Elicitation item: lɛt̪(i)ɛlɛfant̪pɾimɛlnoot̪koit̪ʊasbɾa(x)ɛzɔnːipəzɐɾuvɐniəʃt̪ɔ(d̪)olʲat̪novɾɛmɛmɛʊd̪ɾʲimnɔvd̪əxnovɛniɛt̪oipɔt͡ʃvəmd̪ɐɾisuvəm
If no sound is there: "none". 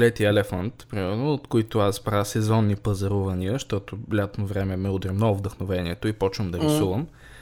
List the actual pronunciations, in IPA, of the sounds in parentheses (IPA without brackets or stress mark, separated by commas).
i, s, t̪